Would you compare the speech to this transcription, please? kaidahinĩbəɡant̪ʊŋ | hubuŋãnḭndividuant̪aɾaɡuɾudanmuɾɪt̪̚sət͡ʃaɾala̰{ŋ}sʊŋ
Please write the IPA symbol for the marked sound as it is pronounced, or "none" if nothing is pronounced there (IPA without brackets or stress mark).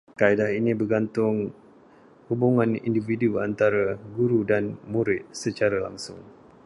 ŋ